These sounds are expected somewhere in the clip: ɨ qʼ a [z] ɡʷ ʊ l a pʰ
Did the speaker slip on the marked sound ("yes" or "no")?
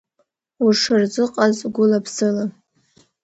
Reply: no